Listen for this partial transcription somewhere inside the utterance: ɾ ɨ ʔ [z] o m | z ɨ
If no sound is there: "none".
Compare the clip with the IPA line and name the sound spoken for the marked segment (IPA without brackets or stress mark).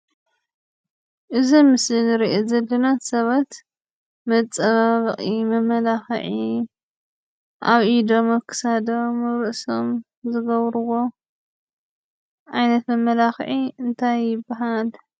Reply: s